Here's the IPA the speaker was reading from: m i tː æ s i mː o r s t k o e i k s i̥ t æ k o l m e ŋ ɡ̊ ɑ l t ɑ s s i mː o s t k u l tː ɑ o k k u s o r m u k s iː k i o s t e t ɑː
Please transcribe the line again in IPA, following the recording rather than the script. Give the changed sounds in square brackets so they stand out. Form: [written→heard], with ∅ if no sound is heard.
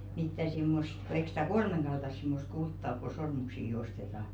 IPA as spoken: m i tː æ s i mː o [r→∅] s t k o e i k s i̥ t æ k o l m e ŋ ɡ̊ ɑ l t ɑ s s i mː o s t k u l tː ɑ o k k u s o r m u k s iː k i o s t e t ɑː